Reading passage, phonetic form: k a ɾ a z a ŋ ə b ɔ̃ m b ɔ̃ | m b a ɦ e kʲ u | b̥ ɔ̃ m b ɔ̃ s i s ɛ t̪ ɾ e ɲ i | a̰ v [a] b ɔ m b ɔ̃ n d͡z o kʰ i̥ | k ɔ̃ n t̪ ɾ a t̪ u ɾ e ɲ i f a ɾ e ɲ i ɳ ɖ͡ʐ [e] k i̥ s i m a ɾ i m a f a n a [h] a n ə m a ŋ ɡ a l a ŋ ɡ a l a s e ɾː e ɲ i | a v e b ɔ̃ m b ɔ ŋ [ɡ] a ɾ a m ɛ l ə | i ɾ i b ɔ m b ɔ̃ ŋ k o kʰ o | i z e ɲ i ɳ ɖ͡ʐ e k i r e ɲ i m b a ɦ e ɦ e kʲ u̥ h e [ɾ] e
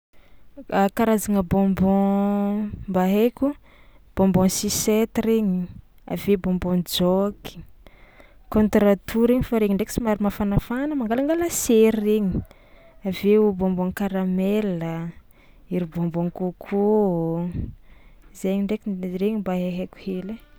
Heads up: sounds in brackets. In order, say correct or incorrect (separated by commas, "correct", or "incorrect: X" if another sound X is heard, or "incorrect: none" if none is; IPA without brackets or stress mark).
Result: incorrect: e, correct, incorrect: f, incorrect: k, incorrect: l